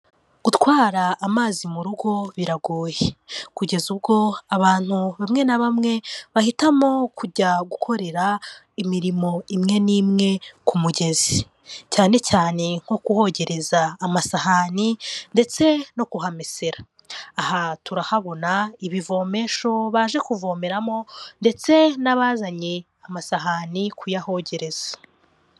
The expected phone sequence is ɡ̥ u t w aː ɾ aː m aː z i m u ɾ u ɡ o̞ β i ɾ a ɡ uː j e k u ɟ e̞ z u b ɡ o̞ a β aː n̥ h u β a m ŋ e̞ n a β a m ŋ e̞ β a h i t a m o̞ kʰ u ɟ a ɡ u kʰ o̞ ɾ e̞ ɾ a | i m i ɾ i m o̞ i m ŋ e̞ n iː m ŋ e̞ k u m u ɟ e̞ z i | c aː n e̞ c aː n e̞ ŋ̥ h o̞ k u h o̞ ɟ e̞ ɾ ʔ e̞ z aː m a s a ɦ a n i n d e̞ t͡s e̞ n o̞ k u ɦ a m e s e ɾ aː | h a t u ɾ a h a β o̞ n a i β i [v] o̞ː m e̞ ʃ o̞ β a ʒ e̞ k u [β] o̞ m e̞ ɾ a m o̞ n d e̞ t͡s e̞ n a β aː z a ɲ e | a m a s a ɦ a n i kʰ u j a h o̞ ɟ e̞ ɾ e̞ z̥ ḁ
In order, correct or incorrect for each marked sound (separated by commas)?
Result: correct, incorrect